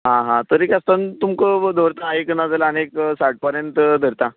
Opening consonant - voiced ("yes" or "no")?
yes